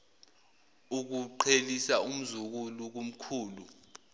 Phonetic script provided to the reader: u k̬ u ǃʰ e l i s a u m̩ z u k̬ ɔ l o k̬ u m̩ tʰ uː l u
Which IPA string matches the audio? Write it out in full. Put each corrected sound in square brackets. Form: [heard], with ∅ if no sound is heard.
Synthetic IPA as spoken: u k̬ u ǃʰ e l i s a u m̩ z u k̬ [u] l [u] k̬ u m̩ [kʰ] uː l u